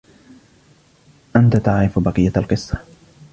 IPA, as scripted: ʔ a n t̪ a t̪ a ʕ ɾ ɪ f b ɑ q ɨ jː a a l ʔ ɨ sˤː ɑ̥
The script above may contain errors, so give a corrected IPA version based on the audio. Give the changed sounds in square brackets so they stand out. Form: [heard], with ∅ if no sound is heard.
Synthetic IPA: ʔ a n t̪ a t̪ a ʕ ɾ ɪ f b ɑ q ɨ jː a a l [q] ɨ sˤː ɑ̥